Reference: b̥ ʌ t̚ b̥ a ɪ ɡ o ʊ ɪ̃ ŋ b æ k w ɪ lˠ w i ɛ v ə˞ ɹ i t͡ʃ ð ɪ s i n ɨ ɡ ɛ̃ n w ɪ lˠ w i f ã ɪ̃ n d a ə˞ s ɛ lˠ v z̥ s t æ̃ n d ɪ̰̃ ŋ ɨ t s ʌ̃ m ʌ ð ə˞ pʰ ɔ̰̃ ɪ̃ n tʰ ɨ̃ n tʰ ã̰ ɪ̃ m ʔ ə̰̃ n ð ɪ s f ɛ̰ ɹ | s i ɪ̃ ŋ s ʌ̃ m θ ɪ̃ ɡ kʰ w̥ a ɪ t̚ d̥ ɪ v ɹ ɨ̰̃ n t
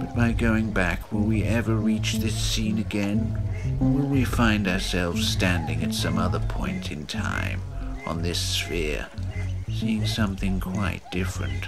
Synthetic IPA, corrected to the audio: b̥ ʌ t̚ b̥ a ɪ ɡ o ʊ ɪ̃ ŋ b æ k w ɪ lˠ w i ɛ v ə˞ ɹ i t͡ʃ ð ɪ s ĩ n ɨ ɡ ɛ̃ n w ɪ lˠ w i f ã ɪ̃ n d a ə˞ s ɛ lˠ v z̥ s t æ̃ n d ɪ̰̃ ŋ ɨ t s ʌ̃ m ʌ ð ə˞ pʰ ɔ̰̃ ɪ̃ n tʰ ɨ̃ n tʰ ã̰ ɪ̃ m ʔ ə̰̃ n ð ɪ s f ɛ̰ ɹ | s i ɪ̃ ŋ s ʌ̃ m θ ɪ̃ ŋ kʰ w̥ a ɪ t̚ d̥ ɪ f ɹ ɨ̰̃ n t